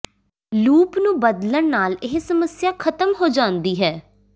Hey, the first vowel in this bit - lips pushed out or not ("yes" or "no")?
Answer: yes